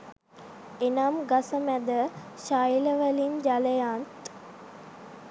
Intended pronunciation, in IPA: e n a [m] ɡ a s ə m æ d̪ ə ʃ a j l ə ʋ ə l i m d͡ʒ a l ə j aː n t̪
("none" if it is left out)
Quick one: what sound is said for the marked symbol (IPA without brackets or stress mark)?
m